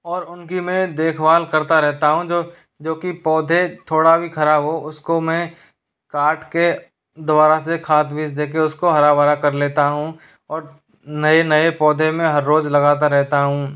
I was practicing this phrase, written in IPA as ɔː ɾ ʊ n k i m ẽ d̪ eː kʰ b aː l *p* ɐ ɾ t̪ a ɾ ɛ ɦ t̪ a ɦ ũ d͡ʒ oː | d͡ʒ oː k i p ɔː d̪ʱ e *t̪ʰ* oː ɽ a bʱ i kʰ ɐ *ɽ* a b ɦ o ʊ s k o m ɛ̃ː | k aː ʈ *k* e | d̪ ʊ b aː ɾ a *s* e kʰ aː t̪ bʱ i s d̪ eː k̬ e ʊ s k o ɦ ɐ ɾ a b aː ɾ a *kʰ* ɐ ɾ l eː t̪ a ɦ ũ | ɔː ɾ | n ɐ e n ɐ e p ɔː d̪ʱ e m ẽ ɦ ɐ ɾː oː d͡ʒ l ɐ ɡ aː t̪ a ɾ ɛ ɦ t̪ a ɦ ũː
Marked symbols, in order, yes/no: no, yes, no, yes, yes, no

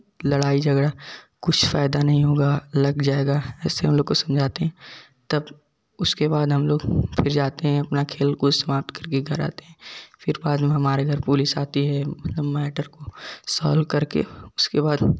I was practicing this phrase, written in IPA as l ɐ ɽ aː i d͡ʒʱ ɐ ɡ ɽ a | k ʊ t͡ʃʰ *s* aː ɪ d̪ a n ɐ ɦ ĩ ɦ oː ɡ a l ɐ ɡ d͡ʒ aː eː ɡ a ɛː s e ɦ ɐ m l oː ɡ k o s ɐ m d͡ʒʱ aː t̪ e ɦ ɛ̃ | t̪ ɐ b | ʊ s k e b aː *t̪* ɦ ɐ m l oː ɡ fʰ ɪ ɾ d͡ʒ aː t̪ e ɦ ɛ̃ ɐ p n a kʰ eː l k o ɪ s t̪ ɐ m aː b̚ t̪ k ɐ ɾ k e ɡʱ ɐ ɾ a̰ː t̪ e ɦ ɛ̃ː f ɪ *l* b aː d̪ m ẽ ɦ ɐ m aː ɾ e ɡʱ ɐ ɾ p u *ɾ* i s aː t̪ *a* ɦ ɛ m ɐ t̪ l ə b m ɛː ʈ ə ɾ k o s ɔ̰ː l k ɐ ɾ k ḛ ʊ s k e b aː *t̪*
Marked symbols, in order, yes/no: no, no, no, no, no, no

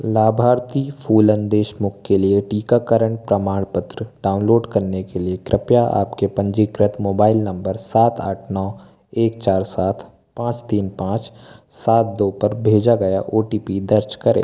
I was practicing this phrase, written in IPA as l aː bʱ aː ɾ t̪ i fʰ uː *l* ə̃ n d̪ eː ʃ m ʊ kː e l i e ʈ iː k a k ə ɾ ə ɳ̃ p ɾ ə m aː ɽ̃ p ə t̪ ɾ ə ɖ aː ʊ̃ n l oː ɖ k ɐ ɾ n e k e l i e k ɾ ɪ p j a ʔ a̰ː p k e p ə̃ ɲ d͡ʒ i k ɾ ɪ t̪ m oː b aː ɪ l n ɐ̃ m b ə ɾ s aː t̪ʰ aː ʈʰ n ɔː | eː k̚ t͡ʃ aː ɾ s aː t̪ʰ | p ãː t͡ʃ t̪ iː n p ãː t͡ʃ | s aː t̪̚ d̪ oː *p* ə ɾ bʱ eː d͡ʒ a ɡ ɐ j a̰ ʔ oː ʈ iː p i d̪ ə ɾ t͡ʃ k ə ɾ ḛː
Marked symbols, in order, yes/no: yes, yes

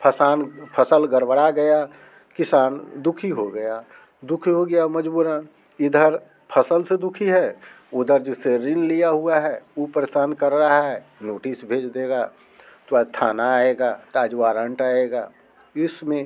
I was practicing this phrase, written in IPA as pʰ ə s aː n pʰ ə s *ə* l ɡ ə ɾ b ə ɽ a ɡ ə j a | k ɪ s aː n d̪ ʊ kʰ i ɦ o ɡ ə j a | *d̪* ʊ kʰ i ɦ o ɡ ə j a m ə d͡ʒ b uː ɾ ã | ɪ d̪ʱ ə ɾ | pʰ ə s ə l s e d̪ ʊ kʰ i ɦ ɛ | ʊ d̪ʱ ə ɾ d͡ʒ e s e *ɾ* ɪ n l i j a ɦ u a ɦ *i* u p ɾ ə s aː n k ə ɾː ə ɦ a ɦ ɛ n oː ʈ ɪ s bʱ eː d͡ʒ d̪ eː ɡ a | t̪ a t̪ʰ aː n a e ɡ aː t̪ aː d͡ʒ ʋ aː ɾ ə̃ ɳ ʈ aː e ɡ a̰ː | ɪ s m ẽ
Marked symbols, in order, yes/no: yes, yes, yes, no

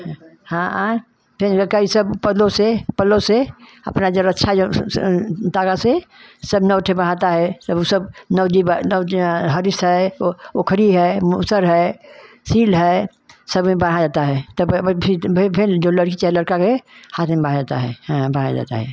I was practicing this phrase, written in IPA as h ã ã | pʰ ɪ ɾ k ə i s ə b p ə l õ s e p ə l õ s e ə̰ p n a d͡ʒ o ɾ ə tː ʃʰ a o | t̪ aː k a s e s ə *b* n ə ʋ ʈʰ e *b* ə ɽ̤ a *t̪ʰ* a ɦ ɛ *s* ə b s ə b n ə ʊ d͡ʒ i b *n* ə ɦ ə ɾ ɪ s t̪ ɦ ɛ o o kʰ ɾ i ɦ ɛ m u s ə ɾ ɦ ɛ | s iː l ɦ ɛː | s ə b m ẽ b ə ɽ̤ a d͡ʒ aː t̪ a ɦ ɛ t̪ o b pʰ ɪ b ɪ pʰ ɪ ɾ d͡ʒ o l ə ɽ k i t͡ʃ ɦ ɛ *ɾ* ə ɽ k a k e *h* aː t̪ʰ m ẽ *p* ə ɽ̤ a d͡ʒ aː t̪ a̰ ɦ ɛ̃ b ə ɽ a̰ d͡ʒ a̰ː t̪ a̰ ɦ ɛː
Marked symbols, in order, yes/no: yes, yes, no, yes, yes, no, yes, no

